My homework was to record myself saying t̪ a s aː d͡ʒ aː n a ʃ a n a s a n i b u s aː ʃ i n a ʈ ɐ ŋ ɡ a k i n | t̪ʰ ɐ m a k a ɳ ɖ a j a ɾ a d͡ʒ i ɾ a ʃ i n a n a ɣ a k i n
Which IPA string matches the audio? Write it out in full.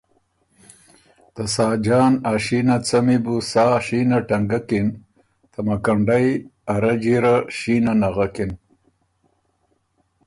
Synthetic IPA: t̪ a s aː d͡ʒ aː n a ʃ i n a t͡s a m i b u s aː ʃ i n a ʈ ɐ ŋ ɡ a k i n | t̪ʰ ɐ m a k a ɳ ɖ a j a ɾ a d͡ʒ i ɾ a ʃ i n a n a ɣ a k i n